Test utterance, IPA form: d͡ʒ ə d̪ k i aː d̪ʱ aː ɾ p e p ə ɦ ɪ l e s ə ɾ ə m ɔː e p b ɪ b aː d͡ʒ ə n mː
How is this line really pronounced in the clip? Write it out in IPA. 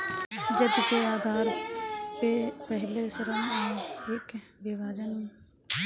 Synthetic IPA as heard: d͡ʒ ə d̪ k e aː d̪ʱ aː ɾ p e p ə ɦ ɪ l e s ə ɾ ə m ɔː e k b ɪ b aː d͡ʒ ə n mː